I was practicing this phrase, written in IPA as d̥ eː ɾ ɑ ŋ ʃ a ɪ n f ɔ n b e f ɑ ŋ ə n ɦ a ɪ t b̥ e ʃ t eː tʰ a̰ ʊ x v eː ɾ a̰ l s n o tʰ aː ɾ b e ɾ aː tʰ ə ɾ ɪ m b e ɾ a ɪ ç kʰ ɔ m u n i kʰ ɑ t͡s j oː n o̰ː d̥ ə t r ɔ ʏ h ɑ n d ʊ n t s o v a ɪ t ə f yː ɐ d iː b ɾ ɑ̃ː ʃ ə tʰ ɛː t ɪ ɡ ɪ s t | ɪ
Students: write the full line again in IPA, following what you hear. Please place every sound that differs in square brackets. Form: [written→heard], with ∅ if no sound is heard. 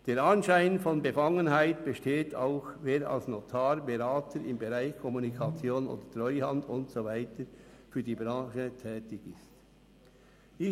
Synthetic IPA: d̥ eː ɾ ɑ [ŋ→n] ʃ a ɪ n f ɔ n b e f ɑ ŋ ə n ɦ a ɪ t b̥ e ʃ t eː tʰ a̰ ʊ x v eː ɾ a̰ l s n o tʰ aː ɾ b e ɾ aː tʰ ə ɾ ɪ m b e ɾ a ɪ ç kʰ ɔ m u n i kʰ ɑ t͡s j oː n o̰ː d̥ ə t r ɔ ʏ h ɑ n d ʊ n t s o v a ɪ t ə f yː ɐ d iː b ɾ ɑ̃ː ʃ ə tʰ ɛː t ɪ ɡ ɪ s t | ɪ